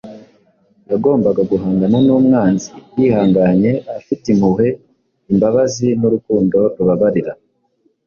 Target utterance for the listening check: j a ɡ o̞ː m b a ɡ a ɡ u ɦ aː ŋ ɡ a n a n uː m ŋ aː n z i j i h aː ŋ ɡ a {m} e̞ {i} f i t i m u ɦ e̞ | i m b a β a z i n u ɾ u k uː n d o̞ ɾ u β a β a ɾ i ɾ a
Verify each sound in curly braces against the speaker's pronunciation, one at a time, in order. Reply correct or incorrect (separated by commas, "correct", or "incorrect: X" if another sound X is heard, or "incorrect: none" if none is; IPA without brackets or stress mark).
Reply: incorrect: ɲ, incorrect: a